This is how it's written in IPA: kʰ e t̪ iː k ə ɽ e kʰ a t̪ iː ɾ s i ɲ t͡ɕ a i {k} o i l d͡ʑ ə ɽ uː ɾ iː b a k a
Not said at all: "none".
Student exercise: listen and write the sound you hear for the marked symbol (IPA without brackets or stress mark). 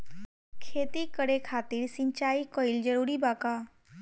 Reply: k